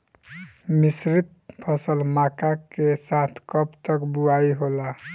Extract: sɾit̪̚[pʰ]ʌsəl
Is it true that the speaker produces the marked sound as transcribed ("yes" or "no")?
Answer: yes